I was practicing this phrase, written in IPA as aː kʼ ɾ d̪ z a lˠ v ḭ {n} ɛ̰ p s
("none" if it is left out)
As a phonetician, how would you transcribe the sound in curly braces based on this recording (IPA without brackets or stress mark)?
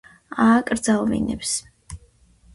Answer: n